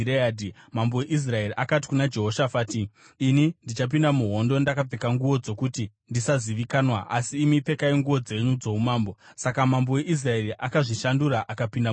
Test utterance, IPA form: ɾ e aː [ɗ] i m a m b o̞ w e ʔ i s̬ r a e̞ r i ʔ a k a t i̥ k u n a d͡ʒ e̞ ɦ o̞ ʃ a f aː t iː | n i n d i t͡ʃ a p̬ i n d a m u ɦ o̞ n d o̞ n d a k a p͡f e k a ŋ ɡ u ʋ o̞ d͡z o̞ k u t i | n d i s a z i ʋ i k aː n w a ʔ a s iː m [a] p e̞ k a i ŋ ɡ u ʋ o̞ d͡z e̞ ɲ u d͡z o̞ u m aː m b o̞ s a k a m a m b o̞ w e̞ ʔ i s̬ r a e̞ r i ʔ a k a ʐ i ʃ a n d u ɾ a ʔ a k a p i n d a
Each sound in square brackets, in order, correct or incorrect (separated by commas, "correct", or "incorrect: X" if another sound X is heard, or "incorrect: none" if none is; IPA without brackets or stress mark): incorrect: d, incorrect: i